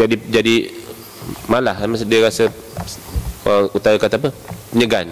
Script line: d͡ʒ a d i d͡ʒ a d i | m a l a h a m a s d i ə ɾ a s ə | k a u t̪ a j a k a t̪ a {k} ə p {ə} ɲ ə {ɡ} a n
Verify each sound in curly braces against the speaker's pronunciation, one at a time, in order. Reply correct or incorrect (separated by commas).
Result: incorrect, correct, correct